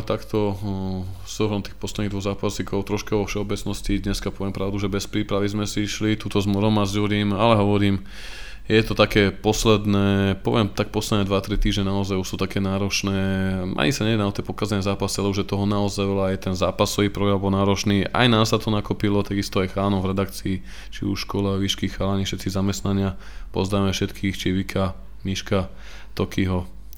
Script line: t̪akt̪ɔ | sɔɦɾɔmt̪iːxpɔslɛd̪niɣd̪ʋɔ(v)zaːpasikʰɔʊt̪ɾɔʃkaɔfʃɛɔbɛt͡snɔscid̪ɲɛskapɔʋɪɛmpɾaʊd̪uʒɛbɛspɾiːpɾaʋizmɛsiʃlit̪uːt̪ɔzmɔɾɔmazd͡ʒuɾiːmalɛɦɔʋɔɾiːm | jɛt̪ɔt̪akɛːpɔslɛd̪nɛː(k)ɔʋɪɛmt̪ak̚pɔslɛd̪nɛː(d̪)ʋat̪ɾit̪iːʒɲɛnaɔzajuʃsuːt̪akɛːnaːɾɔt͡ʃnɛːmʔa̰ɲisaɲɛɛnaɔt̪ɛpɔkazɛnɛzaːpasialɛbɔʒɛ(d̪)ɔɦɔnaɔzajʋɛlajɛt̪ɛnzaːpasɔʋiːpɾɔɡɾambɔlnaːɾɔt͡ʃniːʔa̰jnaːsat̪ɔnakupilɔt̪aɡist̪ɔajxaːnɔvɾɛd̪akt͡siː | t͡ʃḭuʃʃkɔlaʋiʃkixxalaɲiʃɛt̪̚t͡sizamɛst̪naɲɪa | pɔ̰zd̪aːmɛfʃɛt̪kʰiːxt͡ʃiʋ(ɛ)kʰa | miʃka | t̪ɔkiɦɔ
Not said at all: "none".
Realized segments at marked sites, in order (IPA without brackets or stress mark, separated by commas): ɣ, p, d̪, t̪, i